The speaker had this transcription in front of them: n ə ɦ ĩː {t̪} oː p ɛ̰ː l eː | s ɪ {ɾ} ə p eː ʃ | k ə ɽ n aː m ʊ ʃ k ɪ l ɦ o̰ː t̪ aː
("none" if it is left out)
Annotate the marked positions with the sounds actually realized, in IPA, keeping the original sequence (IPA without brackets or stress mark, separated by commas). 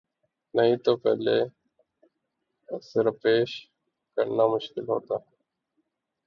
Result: t̪, ɾ